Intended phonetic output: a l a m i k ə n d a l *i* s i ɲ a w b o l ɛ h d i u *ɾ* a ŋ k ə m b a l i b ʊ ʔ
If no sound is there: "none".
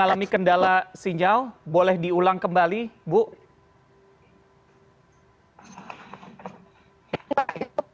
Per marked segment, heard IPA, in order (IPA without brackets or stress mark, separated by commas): a, l